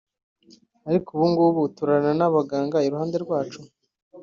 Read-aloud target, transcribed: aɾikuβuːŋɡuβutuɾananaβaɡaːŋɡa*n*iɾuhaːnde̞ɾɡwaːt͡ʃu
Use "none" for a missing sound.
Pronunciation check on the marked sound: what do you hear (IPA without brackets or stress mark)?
none